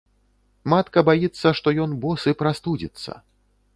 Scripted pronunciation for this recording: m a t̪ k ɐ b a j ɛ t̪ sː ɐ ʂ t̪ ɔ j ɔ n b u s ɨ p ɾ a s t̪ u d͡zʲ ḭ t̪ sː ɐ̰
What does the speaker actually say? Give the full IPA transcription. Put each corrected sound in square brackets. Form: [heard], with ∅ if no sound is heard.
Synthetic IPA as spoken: m a t̪ k ɐ b a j [i] t̪ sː ɐ ʂ t̪ ɔ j ɔ n b [ɔ] s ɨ p ɾ a s t̪ u d͡zʲ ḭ t̪ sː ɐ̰